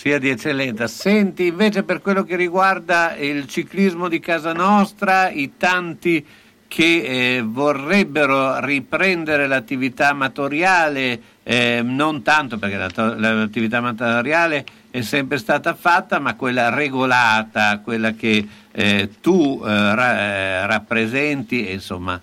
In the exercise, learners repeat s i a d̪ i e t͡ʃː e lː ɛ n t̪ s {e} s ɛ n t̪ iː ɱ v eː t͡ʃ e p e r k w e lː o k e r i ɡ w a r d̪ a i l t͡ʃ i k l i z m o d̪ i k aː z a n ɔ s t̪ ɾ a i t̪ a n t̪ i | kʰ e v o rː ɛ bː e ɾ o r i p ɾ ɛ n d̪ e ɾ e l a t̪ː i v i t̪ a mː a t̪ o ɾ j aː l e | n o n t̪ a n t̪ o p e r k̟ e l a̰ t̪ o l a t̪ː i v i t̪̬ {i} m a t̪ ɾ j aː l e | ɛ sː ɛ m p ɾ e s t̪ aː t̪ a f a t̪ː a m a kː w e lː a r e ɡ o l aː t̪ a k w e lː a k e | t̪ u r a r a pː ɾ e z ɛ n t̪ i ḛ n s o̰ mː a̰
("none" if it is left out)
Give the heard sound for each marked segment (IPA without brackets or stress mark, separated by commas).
a, a